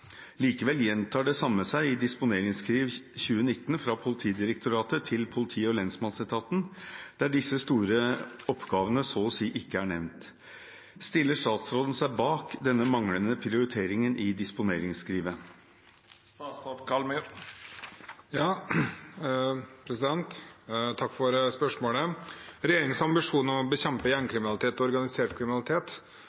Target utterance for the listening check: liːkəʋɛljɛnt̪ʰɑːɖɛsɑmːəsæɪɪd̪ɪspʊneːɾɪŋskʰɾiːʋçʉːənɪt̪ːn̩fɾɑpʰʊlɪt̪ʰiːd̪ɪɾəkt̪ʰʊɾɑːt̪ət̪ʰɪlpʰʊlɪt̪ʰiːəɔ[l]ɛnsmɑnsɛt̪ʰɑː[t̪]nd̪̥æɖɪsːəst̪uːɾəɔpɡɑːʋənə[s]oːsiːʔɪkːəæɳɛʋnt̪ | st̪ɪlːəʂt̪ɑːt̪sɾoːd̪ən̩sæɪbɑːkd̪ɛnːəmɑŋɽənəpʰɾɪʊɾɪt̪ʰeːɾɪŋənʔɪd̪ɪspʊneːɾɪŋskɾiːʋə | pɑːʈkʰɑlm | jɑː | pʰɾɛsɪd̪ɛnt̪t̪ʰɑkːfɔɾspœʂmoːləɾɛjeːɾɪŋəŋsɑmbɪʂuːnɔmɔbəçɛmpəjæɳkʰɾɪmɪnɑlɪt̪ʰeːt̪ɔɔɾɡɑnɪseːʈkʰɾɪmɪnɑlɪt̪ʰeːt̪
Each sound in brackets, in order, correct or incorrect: correct, correct, correct

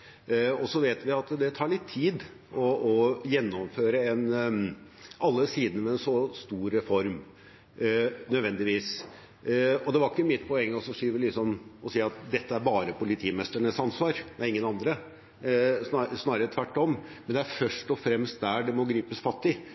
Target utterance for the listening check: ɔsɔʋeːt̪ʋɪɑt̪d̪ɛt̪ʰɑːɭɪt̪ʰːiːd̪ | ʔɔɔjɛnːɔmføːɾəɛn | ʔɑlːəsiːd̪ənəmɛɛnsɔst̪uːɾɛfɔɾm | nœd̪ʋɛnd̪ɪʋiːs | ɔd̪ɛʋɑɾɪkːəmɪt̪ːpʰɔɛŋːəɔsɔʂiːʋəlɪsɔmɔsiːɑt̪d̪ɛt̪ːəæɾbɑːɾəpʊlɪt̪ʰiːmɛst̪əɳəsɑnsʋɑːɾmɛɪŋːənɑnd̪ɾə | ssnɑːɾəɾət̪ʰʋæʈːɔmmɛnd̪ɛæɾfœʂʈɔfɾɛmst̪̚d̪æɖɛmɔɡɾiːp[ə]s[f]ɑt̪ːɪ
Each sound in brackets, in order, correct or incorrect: correct, correct

